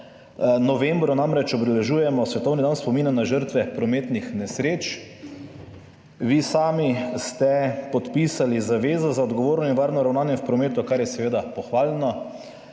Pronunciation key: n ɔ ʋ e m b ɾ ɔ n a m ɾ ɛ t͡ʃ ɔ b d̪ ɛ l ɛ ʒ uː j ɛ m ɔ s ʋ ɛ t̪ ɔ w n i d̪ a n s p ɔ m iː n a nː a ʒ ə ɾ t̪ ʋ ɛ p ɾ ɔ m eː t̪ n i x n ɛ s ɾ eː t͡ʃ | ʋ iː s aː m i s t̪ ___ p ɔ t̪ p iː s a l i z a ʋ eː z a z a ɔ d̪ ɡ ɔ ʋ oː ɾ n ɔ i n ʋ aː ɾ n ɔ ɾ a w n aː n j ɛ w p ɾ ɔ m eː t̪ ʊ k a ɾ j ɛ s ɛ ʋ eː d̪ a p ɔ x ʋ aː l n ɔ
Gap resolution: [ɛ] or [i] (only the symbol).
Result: ɛ